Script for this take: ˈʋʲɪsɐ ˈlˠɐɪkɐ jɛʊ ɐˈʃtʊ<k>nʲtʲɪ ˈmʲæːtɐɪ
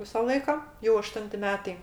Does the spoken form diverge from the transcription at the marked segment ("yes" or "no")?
yes